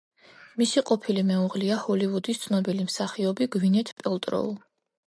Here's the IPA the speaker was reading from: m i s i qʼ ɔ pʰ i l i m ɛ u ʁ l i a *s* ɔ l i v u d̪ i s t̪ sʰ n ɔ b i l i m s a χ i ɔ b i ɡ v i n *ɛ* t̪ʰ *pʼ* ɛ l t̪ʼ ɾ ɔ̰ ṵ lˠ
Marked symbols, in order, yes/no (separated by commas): no, yes, yes